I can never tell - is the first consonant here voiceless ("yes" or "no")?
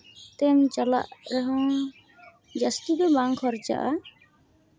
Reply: yes